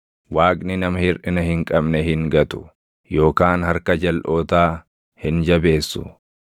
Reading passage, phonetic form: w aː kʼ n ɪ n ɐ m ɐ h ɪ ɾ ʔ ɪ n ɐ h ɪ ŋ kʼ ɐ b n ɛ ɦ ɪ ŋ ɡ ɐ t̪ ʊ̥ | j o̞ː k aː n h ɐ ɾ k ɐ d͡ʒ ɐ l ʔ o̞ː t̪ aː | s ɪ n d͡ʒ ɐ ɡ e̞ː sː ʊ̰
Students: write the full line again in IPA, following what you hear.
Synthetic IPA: w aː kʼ n ɪ n ɐ m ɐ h ɪ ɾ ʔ ɪ n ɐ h ɪ ŋ kʼ ɐ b n ɛ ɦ ɪ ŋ ɡ ɐ t̪ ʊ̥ | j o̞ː k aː n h ɐ ɾ k ɐ d͡ʒ ɐ l ʔ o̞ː t̪ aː | h ɪ n d͡ʒ ɐ b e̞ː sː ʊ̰

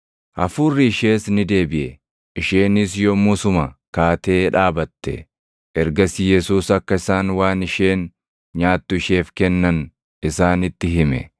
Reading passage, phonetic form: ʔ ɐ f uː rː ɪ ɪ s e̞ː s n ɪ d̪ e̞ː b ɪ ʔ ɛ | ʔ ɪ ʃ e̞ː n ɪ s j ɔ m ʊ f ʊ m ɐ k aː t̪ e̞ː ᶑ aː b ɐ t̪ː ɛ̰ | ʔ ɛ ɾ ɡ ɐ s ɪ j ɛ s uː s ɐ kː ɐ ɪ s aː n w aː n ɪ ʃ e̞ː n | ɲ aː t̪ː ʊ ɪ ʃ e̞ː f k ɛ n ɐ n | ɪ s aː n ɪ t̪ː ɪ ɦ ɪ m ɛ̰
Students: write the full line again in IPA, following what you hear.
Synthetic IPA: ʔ ɐ f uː rː ɪ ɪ ʃ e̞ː s n ɪ d̪ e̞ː b ɪ ʔ ɛ | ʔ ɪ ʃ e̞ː n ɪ s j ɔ m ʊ s ʊ m ɐ k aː t̪ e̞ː ᶑ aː b ɐ t̪ː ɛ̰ | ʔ ɛ ɾ ɡ ɐ s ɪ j ɛ s uː s ɐ kː ɐ ɪ s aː n w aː n ɪ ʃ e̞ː n | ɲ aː t̪ː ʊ ɪ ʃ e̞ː f k ɛ nː ɐ n | ɪ s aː n ɪ t̪ː ɪ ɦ ɪ m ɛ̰

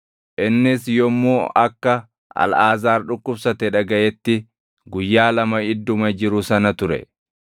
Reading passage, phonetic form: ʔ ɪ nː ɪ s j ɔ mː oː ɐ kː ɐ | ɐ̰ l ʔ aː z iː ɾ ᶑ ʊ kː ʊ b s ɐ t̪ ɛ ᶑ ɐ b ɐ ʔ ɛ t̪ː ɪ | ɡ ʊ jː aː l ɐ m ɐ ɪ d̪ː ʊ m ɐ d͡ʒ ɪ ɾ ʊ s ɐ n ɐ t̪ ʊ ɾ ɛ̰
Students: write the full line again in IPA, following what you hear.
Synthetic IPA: ʔ ɪ nː ɪ s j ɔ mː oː ɐ kː ɐ | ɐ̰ l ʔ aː z aː ɾ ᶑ ʊ kː ʊ b s ɐ t̪ ɛ ᶑ ɐ ɡ ɐ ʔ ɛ t̪ː ɪ | ɡ ʊ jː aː l ɐ m ɐ ɪ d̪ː ʊ m ɐ d͡ʒ ɪ ɾ ʊ s ɐ n ɐ t̪ ʊ ɾ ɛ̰

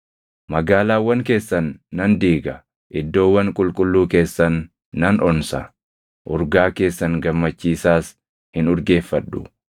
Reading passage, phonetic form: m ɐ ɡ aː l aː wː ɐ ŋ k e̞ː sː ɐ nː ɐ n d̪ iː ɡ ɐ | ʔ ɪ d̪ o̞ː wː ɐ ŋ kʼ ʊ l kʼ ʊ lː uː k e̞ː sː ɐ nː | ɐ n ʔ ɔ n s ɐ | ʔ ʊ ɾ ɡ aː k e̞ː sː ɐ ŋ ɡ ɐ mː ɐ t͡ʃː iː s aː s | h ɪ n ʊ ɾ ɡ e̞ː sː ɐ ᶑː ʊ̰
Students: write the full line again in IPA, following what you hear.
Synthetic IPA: m ɐ ɡ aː l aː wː ɐ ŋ k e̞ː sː ɐ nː ɐ n d̪ iː ɡ ɐ | ʔ ɪ d̪ː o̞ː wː ɐ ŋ kʼ ʊ l kʼ ʊ lː uː k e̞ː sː ɐ nː | ɐ n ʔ ɔ n s ɐ | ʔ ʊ ɾ ɡ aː k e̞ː sː ɐ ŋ ɡ ɐ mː ɐ t͡ʃː iː s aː s | h ɪ n ʊ ɾ ɡ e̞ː fː ɐ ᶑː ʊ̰

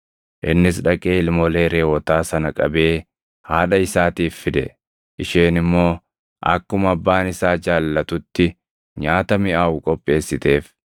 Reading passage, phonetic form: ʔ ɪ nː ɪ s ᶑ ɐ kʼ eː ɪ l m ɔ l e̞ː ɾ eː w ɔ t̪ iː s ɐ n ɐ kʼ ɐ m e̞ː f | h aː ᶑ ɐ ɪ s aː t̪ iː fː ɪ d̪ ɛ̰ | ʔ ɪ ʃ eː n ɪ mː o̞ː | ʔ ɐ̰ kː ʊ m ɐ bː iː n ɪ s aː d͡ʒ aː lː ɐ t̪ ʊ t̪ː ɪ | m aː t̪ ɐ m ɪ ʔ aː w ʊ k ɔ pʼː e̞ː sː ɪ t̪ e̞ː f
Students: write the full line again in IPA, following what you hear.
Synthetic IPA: ʔ ɪ nː ɪ s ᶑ ɐ kʼ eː ɪ l m ɔ l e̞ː ɾ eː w ɔ t̪ aː s ɐ n ɐ kʼ ɐ b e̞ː | h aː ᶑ ɐ ɪ s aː t̪ iː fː ɪ d̪ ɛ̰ | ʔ ɪ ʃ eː n ɪ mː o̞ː | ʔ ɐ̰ kː ʊ m ɐ bː aː n ɪ s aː d͡ʒ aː lː ɐ t̪ ʊ t̪ː ɪ | ɲ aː t̪ ɐ m ɪ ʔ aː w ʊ kʼ ɔ pʼː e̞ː sː ɪ t̪ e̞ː f

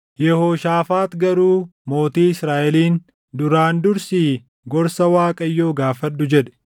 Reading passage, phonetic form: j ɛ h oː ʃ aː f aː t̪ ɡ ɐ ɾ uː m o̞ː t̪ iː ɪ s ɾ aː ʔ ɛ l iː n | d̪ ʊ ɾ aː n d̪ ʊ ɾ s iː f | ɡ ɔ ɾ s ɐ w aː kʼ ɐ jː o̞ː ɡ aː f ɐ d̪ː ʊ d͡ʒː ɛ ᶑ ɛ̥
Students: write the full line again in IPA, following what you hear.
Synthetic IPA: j ɛ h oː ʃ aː f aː t̪ ɡ ɐ ɾ uː m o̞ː t̪ iː ɪ s ɾ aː ʔ ɛ l iː n | d̪ ʊ ɾ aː n d̪ ʊ ɾ s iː | ɡ ɔ ɾ s ɐ w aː kʼ ɐ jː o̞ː ɡ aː f ɐ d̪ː ʊ d͡ʒ ɛ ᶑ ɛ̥

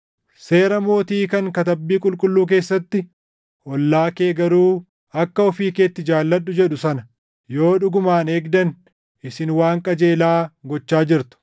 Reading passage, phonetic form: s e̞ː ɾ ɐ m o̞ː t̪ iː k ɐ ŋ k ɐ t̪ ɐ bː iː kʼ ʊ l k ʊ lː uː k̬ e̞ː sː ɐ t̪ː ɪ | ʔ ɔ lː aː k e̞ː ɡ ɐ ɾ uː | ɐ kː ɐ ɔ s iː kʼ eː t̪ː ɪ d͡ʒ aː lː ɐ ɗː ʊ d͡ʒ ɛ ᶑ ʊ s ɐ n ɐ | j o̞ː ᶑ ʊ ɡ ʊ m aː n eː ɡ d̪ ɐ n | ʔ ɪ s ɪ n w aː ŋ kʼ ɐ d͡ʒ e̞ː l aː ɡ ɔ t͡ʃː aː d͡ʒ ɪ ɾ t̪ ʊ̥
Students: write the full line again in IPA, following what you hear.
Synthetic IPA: s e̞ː ɾ ɐ m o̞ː t̪ iː k ɐ ŋ k ɐ t̪ ɐ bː iː kʼ ʊ l kʼ ʊ lː uː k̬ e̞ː sː ɐ t̪ː ɪ | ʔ ɔ lː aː k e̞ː ɡ ɐ ɾ uː | ɐ kː ɐ ɔ f iː k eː t̪ː ɪ d͡ʒ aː lː ɐ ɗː ʊ d͡ʒ ɛ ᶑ ʊ s ɐ n ɐ | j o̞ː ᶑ ʊ ɡ ʊ m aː n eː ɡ d̪ ɐ n | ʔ ɪ s ɪ n w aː ŋ kʼ ɐ d͡ʒ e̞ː l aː ɡ ɔ t͡ʃː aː d͡ʒ ɪ ɾ t̪ ʊ̥

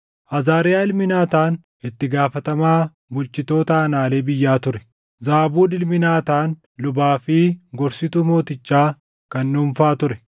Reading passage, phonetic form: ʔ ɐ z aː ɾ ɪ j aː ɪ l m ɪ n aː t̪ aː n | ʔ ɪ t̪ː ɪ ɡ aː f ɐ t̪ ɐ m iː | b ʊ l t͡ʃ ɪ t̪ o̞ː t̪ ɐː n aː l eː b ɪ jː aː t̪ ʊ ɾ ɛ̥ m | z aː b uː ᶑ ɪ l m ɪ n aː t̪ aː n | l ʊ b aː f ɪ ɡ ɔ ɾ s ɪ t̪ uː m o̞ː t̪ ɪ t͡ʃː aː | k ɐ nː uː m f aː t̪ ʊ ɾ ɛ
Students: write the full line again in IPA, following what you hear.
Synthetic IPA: ʔ ɐ z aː ɾ ɪ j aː ɪ l m ɪ n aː t̪ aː n | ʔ ɪ t̪ː ɪ ɡ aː f ɐ t̪ ɐ m aː | b ʊ l t͡ʃ ɪ t̪ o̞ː t̪ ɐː n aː l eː b ɪ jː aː t̪ ʊ ɾ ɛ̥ | z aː b uː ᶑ ɪ l m ɪ n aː t̪ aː n | l ʊ b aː f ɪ ɡ ɔ ɾ s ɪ t̪ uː m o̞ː t̪ ɪ t͡ʃː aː | k ɐ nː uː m f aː t̪ ʊ ɾ ɛ

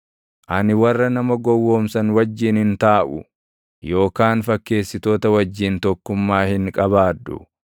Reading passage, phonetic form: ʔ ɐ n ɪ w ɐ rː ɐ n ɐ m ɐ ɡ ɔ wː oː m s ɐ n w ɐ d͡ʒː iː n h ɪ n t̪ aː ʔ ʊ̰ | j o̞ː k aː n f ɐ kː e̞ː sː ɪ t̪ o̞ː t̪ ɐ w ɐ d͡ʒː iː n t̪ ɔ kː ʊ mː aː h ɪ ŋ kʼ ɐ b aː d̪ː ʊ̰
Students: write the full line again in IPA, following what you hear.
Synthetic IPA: ʔ ɐ n ɪ w ɐ rː ɐ n ɐ m ɐ ɡ ɔ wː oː m s ɐ n w ɐ d͡ʒː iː n h ɪ n t̪ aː ʔ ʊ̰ | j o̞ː k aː n f ɐ kː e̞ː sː ɪ t̪ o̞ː t̪ ɐ w ɐ d͡ʒː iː n t̪ ɔ kː ʊ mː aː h ɪ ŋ kʼ ɐ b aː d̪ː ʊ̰

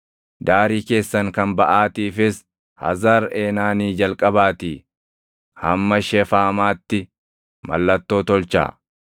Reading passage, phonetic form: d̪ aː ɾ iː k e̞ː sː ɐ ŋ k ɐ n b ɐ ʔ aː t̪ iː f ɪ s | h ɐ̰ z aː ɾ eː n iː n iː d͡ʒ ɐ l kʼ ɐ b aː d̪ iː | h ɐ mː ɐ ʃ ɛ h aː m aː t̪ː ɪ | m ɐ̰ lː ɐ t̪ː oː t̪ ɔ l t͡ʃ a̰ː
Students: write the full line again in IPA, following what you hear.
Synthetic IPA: d̪ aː ɾ iː k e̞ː sː ɐ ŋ k ɐ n b ɐ ʔ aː t̪ iː f ɪ s | h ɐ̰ z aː ɾ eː n aː n iː d͡ʒ ɐ l kʼ ɐ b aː t̪ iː | h ɐ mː ɐ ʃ ɛ f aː m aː t̪ː ɪ | m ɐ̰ lː ɐ t̪ː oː t̪ ɔ l t͡ʃ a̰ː

